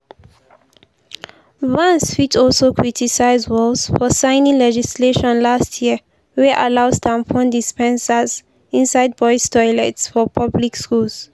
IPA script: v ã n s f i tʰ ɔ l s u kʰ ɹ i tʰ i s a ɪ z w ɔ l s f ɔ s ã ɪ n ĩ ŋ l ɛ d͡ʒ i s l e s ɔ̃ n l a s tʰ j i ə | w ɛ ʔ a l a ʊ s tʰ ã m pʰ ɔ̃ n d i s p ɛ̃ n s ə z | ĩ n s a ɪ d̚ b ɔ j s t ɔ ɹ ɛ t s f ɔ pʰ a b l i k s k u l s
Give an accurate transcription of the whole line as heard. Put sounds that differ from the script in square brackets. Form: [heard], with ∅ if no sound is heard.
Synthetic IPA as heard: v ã n s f i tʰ ɔ l s [o] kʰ ɹ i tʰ i s a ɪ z w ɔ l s f ɔ s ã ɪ n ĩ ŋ l ɛ d͡ʒ i s l e [ʃ] ɔ̃ n l a s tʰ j i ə | w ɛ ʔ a l a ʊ s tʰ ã m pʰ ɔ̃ n d i s p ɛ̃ n s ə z | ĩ n s a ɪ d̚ b ɔ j s t ɔ [l] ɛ t s f ɔ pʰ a b l i k s k u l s

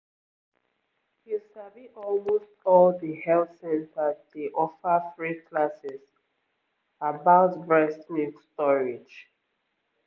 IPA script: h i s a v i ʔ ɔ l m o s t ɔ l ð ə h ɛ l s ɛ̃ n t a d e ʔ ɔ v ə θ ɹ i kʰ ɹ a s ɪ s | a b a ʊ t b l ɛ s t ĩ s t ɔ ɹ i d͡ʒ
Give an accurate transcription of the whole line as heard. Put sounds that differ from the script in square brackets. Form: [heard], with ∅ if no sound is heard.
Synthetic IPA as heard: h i s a v i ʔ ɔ l m o s t ɔ l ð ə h ɛ l s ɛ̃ n t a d e ʔ ɔ [f] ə θ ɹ i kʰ [l] a s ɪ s | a b a ʊ t b [ɹ] ɛ s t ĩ s t ɔ ɹ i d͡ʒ

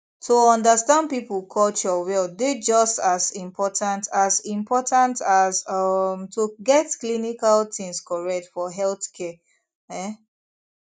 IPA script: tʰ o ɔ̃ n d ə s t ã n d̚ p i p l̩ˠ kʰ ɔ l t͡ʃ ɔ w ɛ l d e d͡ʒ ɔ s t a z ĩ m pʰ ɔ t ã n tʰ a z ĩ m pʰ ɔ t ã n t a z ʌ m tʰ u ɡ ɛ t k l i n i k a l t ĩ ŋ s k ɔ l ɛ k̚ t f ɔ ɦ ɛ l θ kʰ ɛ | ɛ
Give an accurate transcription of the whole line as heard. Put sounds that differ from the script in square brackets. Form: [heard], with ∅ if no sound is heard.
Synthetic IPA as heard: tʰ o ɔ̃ n d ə s t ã n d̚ p i p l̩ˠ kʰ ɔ l t͡ʃ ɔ w ɛ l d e d͡ʒ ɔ s t a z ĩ m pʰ ɔ t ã n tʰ a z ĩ m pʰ ɔ t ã n t a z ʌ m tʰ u ɡ ɛ t k l i n i k a l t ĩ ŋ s k ɔ [ɹ] ɛ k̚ t f ɔ ɦ ɛ l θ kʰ ɛ | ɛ

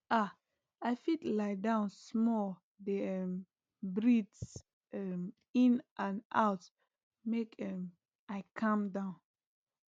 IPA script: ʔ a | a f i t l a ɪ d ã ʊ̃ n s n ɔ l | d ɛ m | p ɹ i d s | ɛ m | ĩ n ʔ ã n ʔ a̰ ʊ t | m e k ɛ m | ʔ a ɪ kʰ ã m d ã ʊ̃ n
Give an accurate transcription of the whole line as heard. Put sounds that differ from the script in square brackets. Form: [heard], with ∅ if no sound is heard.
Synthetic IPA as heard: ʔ a | a f i t l a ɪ d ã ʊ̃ n s [m] ɔ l | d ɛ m | [b] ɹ i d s | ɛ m | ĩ n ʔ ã n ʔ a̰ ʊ t | m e k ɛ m | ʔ a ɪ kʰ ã m d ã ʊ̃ n

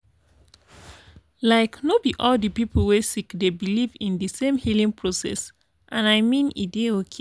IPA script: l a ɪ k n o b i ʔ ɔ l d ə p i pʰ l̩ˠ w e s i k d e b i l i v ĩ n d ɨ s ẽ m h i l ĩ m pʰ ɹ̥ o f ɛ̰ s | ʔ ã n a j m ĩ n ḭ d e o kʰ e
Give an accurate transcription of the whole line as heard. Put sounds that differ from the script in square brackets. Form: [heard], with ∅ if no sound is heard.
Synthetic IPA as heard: l a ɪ k n o b i ʔ ɔ l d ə p i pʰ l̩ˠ w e s i k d e b i l i v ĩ n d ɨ s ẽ m h i l ĩ [ŋ] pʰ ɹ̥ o [s] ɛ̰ s | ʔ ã n a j m ĩ n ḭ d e o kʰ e

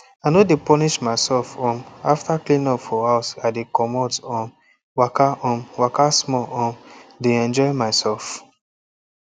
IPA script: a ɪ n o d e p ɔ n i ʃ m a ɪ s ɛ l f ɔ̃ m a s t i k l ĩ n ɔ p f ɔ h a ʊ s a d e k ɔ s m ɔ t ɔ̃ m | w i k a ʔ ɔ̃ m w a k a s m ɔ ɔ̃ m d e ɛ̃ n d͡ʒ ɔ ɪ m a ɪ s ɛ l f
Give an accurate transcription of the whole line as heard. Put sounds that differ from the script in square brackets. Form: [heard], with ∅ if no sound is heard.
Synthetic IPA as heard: a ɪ n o d e p ɔ n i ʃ m a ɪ s ɛ l f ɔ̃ m a [f] t [a] k l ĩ n ɔ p f ɔ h a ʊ s a d e k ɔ [∅] m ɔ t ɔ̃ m | w [a] k a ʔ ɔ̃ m w a k a s m ɔ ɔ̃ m d e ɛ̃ n d͡ʒ ɔ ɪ m a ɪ s ɛ l f

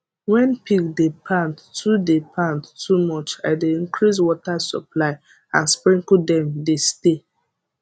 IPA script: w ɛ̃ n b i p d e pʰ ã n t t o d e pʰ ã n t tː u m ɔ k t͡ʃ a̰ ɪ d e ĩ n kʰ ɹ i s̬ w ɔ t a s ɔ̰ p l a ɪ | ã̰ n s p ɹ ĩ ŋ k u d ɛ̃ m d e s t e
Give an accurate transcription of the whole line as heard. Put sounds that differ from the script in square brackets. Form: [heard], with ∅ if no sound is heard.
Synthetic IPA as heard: w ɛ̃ n [p] i [k] d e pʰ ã n t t [u] d e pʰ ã n t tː u m ɔ [∅] t͡ʃ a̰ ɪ d e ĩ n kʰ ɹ i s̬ w ɔ t a s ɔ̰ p l a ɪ | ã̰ n s p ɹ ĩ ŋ k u d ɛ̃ m d e s t e

